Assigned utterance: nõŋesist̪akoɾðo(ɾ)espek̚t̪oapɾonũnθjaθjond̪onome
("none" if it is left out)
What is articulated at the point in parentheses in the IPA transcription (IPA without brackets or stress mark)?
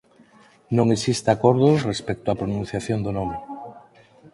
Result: r